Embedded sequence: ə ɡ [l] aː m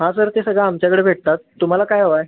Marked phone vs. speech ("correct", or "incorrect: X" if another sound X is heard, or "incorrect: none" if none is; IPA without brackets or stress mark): incorrect: ɭ